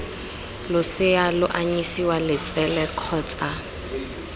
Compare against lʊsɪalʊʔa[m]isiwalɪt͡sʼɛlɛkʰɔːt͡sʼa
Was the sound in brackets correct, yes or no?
no